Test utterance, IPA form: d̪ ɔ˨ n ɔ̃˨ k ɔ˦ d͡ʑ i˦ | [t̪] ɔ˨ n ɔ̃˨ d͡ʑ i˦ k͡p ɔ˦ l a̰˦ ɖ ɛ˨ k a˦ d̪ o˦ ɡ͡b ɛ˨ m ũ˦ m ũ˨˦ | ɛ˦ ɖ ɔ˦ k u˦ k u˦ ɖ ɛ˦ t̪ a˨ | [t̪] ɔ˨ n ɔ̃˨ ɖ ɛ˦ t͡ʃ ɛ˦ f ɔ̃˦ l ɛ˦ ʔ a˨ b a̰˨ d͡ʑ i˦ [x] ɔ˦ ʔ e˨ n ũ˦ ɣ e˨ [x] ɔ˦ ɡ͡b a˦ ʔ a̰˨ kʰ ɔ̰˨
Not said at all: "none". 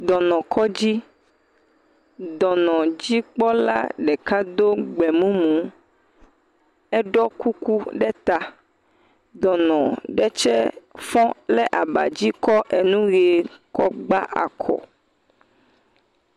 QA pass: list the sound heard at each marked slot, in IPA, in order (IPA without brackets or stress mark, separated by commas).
d̪, d̪, k, k